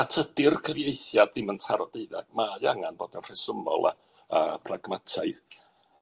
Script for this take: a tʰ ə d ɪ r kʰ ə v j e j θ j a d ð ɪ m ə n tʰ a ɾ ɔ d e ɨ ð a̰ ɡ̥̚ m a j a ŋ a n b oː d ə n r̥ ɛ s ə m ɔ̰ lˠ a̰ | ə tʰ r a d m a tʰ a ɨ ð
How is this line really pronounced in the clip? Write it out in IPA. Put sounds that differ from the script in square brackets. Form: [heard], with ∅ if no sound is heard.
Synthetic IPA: a tʰ ə d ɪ r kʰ ə v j e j θ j a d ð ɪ m ə n tʰ a ɾ ɔ d e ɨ ð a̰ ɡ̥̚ m a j a ŋ a n b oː d ə n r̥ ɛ s ə m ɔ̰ lˠ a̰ | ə [pʰ] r a [ɡ] m a tʰ a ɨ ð